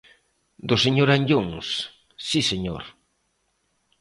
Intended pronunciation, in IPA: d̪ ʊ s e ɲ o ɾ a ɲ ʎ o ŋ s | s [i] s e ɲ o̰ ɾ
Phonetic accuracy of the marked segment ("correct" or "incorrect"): correct